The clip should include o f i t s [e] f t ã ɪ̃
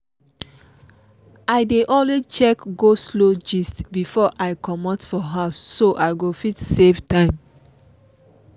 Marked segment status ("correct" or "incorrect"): correct